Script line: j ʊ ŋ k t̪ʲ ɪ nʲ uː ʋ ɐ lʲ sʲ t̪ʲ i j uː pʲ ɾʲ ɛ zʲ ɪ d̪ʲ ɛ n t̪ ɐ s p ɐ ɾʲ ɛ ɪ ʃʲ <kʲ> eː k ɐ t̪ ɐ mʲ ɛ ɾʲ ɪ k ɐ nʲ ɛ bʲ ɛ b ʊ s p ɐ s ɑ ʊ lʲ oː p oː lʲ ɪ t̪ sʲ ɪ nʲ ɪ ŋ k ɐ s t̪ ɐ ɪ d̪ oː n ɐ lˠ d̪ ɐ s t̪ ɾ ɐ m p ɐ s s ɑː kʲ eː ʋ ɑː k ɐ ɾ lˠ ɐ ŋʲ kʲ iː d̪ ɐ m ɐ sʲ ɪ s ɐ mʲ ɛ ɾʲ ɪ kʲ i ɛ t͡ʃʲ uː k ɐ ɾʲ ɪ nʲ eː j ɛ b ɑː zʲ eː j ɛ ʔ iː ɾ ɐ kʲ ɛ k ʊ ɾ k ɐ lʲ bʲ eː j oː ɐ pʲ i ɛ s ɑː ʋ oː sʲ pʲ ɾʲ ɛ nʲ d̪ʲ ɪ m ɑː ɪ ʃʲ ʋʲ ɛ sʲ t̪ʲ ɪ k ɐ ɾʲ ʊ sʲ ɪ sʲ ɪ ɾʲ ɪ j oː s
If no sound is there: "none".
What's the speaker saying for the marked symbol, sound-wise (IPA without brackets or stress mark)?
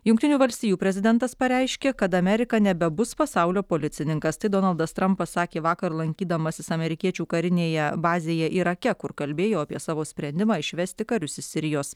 kʲ